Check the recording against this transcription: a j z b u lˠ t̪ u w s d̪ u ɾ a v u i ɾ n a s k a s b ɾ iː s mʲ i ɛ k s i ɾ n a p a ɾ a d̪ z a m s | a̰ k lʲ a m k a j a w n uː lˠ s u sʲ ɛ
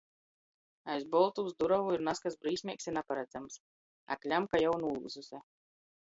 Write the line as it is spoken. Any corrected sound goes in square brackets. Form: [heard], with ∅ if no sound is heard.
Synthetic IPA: a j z b [ɔ] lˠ t̪ u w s d̪ u ɾ a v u i ɾ n a s k a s b ɾ iː s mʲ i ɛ k s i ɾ n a p a ɾ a d̪ z a m s | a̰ k lʲ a m k a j a w n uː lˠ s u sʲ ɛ